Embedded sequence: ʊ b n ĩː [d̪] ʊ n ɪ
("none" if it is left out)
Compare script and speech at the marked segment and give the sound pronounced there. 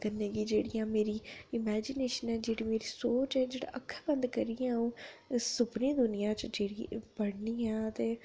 d̪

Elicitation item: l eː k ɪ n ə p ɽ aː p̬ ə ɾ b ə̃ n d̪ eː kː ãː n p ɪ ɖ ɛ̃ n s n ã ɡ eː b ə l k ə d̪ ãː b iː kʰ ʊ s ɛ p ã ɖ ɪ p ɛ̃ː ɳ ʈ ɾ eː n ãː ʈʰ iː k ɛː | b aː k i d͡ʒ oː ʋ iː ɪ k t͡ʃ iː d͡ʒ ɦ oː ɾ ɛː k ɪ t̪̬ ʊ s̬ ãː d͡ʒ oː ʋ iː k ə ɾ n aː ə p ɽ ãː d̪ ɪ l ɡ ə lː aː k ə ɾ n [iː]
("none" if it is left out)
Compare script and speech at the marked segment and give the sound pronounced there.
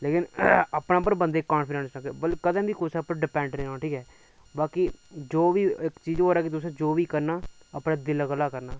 aː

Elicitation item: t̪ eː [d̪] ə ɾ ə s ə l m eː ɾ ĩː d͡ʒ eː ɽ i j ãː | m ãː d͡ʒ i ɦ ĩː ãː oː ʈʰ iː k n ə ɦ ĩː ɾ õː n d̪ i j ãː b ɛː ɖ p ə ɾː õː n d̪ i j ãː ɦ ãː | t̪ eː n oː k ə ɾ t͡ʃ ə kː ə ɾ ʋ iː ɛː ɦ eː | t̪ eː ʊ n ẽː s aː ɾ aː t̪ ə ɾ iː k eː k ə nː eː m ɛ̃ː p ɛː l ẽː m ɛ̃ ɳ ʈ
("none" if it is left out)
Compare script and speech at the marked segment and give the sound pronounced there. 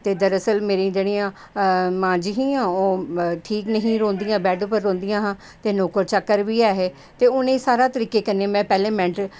d̪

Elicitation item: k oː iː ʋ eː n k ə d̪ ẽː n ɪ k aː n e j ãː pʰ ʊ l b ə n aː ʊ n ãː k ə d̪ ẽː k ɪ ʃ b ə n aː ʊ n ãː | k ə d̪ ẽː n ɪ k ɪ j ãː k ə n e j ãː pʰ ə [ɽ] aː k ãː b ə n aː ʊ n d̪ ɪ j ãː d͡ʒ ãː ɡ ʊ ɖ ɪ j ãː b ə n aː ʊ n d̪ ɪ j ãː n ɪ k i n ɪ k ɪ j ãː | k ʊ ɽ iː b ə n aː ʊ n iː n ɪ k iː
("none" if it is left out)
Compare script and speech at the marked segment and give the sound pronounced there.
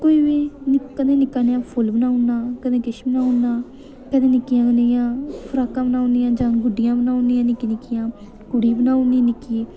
ɾ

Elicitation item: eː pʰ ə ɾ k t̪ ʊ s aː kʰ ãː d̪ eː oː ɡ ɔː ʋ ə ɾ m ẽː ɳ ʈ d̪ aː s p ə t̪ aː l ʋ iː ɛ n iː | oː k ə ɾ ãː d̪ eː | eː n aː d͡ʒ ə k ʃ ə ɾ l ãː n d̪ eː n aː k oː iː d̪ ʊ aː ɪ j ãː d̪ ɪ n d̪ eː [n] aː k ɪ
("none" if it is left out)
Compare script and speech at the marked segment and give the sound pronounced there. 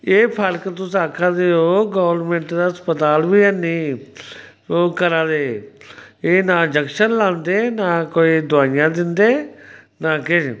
n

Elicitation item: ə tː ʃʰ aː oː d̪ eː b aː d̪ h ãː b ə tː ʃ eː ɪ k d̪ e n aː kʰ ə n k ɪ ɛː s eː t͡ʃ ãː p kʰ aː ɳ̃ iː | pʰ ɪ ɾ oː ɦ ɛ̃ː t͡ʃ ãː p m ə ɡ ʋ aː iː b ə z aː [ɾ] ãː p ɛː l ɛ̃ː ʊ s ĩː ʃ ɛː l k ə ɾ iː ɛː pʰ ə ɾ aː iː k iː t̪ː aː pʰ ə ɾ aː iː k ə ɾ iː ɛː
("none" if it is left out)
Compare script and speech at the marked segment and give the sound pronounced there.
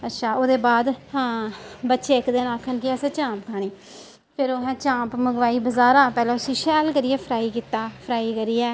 ɾ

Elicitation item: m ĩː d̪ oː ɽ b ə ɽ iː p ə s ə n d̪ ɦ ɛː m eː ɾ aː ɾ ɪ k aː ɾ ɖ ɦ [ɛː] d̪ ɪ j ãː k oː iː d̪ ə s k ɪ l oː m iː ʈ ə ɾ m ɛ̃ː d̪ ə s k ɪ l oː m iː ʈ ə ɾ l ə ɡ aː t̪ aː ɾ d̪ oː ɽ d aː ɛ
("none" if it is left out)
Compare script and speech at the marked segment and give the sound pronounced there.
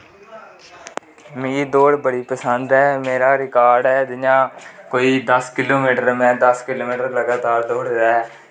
ɛː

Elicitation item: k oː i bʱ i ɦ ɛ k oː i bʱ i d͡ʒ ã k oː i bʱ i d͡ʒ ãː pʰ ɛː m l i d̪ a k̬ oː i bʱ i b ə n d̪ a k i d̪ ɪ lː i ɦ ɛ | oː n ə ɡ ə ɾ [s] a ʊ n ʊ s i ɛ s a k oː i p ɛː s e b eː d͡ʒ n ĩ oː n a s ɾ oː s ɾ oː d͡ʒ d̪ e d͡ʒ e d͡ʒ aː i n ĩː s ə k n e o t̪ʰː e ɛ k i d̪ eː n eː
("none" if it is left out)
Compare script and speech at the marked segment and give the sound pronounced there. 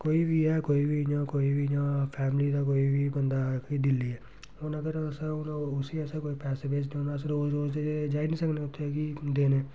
s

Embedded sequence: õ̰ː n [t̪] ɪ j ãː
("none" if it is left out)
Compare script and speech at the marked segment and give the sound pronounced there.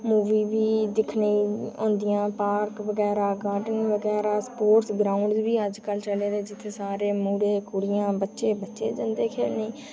d̪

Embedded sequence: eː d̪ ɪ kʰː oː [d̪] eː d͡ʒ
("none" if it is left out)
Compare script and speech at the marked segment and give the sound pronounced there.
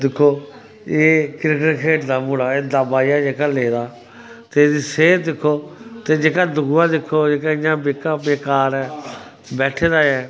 t̪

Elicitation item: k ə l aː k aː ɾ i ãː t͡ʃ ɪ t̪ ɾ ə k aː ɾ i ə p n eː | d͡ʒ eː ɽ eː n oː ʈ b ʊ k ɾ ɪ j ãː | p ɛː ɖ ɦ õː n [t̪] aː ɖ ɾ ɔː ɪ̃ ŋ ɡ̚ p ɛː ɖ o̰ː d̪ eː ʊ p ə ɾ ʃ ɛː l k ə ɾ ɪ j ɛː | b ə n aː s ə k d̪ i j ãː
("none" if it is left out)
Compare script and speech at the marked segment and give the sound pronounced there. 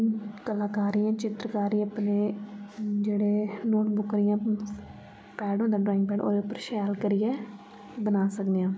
d̪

